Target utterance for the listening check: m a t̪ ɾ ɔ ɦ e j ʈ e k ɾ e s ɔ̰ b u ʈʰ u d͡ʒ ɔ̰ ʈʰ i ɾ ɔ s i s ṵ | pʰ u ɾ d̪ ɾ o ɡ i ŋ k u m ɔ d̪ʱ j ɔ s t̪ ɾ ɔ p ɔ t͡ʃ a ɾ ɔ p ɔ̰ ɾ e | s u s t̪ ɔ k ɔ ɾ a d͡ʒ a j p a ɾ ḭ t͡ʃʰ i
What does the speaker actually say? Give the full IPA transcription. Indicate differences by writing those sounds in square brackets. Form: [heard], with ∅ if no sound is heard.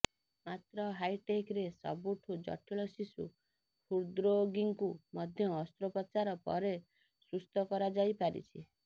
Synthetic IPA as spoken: m a t̪ ɾ ɔ ɦ [a] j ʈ e k ɾ e s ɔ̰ b u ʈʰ u d͡ʒ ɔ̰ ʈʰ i [ɭ] ɔ s i s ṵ | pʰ u ɾ d̪ ɾ o ɡ i ŋ k u m ɔ d̪ʱ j [ɔː] s t̪ ɾ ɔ p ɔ t͡ʃ a ɾ ɔ p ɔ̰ ɾ e | s u s t̪ ɔ k ɔ ɾ a d͡ʒ a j p a ɾ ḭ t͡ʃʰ i